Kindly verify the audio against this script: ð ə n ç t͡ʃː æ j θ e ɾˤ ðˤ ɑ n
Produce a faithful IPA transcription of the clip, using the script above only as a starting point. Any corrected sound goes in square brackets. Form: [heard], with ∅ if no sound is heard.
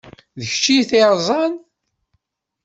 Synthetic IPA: ð ə [∅] ç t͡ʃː [i] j θ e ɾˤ [zˤ] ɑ n